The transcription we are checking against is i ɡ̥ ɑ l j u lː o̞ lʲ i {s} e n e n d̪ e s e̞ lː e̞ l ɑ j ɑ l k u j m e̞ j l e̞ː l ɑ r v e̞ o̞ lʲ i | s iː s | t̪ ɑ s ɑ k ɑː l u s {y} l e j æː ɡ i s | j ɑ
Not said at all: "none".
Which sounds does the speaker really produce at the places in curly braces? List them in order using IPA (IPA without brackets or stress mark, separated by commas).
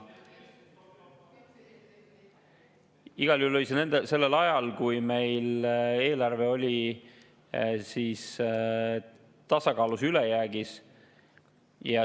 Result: s, y